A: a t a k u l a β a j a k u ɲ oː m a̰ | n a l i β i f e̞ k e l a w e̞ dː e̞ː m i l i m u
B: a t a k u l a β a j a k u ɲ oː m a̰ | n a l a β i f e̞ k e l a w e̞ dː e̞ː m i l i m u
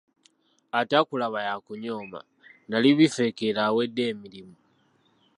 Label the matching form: A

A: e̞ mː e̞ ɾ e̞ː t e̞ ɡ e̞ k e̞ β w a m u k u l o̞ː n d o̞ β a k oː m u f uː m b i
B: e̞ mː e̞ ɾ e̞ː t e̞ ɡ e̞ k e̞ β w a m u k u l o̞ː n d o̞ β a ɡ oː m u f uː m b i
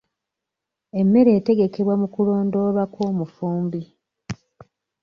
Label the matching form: A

